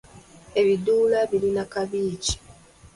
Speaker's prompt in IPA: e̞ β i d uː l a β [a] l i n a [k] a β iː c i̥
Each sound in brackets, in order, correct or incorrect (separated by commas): incorrect, correct